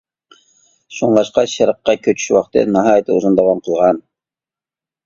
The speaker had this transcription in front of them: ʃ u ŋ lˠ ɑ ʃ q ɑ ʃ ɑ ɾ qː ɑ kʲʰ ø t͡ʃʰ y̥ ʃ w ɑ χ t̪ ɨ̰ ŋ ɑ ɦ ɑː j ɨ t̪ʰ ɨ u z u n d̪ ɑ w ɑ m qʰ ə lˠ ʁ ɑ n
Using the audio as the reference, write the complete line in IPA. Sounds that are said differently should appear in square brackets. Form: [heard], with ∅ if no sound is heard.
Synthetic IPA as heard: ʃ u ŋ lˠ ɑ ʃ q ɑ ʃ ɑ ɾ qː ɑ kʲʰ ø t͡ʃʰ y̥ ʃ w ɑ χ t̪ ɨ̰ [n] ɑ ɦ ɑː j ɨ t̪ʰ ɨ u z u n d̪ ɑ w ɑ m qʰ ə lˠ ʁ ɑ n

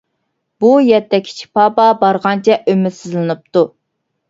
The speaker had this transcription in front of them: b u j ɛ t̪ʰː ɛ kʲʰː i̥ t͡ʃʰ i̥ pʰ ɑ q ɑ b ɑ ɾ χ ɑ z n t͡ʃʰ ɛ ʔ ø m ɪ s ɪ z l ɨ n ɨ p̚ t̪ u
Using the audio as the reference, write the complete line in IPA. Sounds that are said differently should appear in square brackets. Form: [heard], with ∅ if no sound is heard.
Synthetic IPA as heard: b u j ɛ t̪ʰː ɛ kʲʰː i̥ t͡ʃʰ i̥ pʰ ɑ [p] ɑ b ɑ ɾ [ʁ] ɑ [∅] n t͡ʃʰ ɛ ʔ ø m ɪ s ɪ z l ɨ n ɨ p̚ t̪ u

